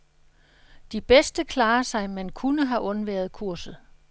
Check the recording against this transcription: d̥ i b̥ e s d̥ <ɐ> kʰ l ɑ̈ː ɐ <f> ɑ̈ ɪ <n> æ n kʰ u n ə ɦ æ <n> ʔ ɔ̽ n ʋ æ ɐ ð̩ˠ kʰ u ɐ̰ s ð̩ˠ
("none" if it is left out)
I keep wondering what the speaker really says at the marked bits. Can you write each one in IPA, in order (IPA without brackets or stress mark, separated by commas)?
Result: ə, s, m, none